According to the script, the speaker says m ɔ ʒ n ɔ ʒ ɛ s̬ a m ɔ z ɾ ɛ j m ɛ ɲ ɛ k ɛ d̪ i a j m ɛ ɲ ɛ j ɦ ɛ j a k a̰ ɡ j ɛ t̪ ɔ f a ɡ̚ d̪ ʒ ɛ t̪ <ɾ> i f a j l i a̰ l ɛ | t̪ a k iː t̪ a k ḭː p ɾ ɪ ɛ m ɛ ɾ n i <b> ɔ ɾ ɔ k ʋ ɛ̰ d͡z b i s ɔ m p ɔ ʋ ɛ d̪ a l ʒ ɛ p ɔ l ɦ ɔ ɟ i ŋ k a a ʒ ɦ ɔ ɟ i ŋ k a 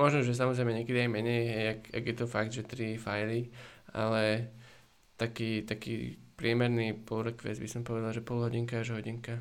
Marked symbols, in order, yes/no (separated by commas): yes, no